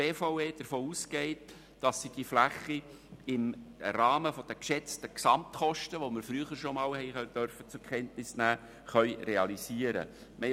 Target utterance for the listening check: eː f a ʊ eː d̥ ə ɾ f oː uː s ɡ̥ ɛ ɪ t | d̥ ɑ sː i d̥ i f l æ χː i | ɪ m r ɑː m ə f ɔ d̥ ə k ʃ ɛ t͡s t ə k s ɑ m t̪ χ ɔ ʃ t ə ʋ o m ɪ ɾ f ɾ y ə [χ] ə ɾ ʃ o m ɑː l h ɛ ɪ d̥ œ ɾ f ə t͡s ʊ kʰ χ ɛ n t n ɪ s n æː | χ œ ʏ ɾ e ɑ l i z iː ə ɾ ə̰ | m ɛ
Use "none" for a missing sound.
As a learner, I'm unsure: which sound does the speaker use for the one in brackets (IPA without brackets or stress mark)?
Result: χ